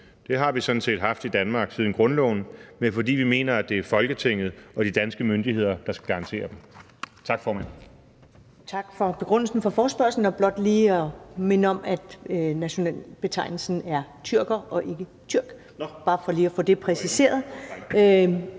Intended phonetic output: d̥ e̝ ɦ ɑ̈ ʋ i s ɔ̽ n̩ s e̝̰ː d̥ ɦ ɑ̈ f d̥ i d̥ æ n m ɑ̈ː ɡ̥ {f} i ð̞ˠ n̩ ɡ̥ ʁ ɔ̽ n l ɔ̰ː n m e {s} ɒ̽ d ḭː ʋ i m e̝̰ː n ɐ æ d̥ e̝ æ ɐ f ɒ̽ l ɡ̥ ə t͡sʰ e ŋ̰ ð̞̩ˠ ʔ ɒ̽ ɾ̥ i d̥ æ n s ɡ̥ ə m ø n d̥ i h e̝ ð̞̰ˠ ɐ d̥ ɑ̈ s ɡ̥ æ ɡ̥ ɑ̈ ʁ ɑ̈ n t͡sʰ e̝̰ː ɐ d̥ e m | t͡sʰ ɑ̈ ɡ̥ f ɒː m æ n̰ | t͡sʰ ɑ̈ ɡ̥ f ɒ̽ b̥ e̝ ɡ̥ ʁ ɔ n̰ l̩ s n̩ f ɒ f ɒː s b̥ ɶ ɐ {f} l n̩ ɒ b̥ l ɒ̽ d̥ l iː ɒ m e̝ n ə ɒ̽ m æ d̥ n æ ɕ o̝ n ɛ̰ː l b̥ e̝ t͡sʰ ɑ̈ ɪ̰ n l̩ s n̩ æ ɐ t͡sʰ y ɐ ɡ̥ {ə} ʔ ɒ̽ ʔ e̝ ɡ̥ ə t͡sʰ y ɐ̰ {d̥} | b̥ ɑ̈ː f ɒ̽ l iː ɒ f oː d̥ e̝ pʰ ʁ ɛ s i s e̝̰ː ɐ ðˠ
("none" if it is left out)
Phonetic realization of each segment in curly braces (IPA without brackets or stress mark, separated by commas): s, f, s, ɐ, ɡ̥